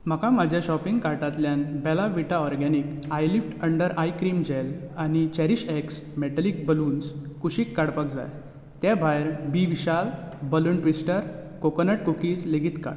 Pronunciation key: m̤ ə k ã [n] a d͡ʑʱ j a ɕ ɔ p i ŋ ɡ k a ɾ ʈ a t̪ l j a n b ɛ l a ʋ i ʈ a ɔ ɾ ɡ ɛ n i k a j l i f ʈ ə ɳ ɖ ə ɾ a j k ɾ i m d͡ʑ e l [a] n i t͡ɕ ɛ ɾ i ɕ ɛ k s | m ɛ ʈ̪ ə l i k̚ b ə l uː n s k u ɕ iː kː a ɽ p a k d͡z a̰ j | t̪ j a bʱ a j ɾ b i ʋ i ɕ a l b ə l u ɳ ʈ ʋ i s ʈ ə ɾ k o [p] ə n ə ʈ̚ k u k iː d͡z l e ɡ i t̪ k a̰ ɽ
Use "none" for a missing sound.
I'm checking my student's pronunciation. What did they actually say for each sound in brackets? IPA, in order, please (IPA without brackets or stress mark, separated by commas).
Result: m, a, k